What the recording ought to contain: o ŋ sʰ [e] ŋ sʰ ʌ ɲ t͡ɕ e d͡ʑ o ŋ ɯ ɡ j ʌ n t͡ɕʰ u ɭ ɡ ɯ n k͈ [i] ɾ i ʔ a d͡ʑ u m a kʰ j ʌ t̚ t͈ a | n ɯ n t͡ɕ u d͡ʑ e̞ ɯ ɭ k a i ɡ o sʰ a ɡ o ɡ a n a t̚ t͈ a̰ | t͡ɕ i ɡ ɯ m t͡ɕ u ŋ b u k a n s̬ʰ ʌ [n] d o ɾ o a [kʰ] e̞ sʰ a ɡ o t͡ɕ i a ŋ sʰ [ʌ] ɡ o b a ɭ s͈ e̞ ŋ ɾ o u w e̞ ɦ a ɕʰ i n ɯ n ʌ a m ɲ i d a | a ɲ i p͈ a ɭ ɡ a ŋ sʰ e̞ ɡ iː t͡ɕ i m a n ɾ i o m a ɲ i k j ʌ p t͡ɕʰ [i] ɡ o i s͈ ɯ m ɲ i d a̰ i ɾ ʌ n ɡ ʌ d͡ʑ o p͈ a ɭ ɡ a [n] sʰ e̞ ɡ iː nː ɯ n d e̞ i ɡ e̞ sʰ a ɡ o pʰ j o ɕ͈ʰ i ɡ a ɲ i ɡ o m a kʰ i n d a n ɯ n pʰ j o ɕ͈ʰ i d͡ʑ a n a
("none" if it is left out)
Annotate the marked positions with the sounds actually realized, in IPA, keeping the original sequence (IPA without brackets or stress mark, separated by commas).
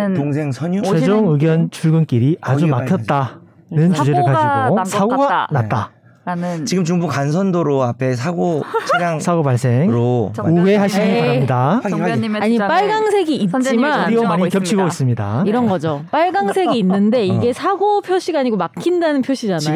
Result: e, i, n, pʰ, a, i, ŋ